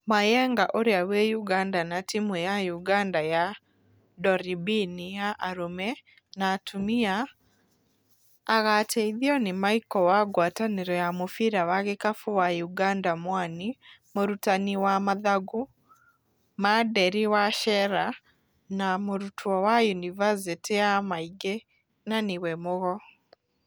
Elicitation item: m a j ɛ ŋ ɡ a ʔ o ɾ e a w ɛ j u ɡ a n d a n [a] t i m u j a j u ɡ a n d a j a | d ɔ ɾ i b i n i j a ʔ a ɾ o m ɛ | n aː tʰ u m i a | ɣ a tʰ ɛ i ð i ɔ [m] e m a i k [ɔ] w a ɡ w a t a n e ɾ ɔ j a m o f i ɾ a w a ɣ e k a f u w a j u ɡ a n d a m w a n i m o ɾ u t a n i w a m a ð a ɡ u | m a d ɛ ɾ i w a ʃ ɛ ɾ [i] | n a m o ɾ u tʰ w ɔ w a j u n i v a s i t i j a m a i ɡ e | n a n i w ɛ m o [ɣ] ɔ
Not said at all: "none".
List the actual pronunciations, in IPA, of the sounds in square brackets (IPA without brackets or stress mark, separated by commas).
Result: a, n, ɔ, a, ɣ